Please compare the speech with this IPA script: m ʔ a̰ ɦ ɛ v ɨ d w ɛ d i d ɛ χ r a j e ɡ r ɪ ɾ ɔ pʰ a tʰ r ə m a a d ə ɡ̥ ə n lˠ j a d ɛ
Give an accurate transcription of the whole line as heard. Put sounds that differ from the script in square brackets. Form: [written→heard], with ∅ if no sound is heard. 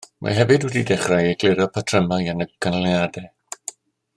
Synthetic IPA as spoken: m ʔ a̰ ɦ ɛ v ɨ d w ɛ d i d ɛ χ r a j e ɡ [r→l] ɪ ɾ ɔ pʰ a tʰ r ə m a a [d→n] ə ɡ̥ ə n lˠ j a d ɛ